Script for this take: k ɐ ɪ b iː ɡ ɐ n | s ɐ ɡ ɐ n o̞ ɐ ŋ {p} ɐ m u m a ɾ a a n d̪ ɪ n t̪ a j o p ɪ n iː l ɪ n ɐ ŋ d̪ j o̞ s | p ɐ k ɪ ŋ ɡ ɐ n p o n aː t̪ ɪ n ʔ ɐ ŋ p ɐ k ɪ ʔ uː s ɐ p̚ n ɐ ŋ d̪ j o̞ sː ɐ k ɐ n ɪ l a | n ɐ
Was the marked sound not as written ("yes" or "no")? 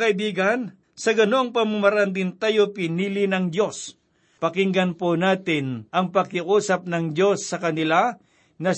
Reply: no